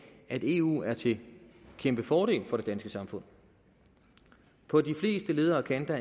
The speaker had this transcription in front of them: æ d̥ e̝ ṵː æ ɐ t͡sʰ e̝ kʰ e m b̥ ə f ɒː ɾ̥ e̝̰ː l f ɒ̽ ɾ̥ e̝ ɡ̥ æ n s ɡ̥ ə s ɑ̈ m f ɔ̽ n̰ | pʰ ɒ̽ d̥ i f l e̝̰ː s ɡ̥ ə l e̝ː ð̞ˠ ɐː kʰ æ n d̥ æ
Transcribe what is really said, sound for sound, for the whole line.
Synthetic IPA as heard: æ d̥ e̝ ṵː æ ɐ t͡sʰ e̝ kʰ e m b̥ ə f ɒː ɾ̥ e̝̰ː l f ɒ̽ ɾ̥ e̝ d̥ æ n s ɡ̥ ə s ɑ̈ m f ɔ̽ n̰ | pʰ ɒ̽ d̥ i f l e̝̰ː s d̥ ə l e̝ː ð̞ˠ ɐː kʰ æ n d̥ æ